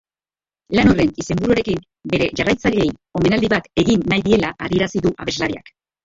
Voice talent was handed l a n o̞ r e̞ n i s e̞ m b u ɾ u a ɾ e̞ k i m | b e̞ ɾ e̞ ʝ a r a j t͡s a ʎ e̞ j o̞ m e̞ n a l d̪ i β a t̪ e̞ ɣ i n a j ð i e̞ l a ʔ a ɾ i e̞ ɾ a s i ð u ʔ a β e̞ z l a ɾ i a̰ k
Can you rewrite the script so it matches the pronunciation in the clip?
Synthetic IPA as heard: l a n o̞ r e̞ n i s e̞ m b u ɾ u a ɾ e̞ k i m | b e̞ ɾ e̞ ʝ a r a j t͡s a ʎ e̞ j o̞ m e̞ n a l d̪ i β a t̪ e̞ ɣ i nː a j ð i e̞ l a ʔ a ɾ i e̞ ɾ a s i ð u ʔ a β e̞ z l a ɾ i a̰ k